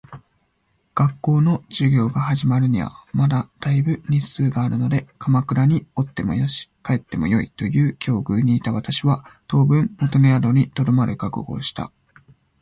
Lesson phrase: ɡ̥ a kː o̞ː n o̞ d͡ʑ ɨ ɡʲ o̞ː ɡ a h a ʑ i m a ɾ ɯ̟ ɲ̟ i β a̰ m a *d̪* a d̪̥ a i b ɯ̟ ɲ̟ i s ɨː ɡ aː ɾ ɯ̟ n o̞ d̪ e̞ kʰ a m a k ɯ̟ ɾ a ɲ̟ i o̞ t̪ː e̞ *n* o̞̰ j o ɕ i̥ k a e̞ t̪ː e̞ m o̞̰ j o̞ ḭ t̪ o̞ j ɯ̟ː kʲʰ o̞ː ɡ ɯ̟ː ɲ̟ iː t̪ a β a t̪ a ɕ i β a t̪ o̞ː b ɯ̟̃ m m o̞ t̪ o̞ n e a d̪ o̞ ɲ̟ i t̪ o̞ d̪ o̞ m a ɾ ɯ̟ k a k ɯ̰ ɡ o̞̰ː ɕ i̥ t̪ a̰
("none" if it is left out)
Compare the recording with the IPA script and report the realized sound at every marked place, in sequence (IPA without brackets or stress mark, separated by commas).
d̪, m